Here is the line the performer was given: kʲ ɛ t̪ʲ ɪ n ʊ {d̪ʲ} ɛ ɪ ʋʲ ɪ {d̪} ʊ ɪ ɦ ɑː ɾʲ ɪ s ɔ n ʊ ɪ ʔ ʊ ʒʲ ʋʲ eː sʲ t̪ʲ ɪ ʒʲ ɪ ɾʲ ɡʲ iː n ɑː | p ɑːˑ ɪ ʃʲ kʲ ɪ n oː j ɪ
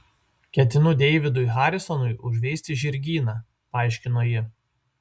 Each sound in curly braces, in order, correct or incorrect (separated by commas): correct, correct